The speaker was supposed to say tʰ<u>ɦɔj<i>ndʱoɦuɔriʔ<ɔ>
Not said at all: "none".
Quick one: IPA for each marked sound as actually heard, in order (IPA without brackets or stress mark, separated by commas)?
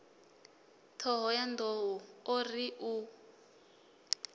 ɔ, a, u